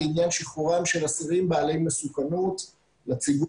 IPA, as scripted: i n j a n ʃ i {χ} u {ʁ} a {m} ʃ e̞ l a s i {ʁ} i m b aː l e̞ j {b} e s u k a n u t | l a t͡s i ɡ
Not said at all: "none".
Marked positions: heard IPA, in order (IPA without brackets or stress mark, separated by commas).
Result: χ, ʁ, m, ʁ, m